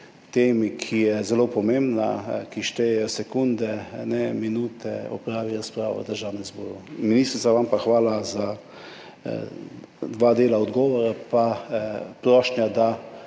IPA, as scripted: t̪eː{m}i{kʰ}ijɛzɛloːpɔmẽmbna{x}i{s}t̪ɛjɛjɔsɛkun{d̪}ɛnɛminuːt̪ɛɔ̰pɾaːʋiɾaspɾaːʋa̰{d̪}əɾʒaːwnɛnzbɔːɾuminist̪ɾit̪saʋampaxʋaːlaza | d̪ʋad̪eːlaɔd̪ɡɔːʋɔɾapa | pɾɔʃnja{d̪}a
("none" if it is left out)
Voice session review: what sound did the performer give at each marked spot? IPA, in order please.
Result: m, kʰ, k, ʃ, d̪, d̪, d̪

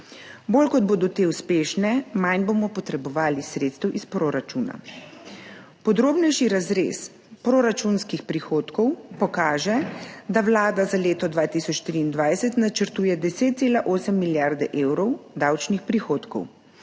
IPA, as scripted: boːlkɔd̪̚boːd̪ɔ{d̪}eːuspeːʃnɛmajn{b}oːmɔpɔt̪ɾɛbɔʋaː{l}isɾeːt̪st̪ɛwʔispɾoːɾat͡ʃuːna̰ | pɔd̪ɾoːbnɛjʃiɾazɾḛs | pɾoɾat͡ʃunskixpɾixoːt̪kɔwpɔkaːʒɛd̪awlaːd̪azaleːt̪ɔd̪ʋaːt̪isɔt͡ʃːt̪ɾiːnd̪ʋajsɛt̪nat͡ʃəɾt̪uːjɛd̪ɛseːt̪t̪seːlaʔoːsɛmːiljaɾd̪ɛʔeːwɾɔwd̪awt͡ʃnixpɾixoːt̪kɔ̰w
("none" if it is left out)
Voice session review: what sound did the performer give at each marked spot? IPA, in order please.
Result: t̪, b, l

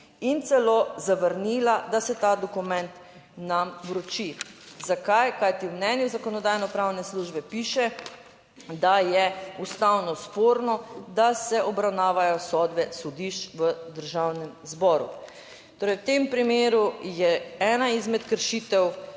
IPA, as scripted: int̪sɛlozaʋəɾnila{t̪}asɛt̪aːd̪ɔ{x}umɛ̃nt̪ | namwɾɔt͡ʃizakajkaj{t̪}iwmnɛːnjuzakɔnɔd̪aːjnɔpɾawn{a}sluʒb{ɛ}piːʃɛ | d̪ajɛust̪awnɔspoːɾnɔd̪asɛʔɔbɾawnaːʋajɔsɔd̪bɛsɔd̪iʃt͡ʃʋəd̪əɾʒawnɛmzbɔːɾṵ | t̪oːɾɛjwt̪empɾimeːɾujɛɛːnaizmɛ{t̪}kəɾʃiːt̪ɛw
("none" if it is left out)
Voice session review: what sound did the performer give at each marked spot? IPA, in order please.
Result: d̪, k, t̪, ɛ, ɛ, t̪

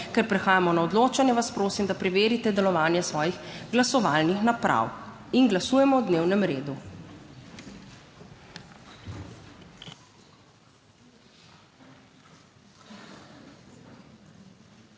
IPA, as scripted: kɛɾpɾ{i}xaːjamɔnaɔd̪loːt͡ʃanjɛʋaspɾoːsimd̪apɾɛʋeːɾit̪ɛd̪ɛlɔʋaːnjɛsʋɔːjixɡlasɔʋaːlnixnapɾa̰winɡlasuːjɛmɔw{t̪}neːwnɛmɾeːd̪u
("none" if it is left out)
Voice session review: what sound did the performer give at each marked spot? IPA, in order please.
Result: ɛ, d̪

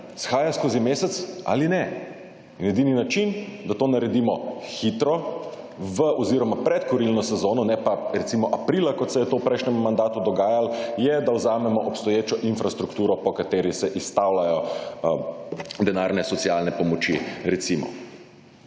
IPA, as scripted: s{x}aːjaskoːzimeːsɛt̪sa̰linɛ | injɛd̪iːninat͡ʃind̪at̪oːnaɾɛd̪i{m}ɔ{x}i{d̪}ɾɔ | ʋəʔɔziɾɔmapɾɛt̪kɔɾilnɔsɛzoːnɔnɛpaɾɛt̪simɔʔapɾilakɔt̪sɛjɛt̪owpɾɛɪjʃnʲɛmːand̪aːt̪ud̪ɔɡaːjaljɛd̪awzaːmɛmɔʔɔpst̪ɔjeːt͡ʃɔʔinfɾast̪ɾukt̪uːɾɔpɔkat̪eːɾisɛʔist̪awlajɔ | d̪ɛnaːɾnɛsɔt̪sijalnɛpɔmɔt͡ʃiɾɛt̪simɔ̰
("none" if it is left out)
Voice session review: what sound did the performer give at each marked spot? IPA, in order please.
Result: x, m, x, t̪

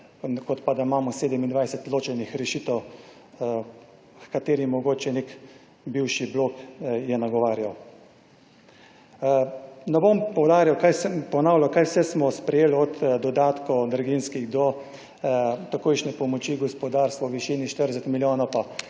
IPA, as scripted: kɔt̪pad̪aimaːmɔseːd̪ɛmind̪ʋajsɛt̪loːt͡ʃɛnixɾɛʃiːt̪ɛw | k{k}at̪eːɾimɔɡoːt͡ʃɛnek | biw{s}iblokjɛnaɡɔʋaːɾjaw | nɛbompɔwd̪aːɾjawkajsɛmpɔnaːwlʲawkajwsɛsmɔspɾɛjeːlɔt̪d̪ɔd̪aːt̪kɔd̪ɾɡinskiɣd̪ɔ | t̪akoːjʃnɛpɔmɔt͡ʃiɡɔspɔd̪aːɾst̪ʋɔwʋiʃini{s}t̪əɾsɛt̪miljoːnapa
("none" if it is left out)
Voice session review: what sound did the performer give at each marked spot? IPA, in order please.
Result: k, ʃ, ʃ

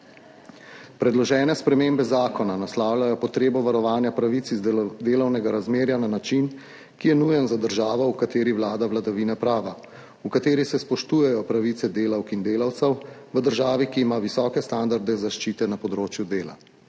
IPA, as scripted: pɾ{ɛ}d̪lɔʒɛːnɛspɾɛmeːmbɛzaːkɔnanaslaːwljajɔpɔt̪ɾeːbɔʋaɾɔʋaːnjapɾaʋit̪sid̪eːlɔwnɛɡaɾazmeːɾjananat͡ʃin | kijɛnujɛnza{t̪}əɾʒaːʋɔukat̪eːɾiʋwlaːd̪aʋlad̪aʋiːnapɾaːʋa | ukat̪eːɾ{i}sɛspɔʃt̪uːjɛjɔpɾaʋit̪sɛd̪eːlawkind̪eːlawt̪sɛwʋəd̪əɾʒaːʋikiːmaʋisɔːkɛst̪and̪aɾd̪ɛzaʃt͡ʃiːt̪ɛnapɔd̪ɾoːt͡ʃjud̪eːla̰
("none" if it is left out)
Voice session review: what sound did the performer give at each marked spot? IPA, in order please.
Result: ɛ, d̪, i

